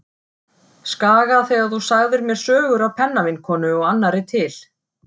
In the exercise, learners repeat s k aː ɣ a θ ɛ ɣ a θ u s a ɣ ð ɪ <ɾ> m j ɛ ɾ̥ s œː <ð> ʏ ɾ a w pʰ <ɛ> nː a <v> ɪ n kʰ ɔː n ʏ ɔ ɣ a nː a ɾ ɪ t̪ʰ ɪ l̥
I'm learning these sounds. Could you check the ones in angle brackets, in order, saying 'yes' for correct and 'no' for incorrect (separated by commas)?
yes, no, yes, yes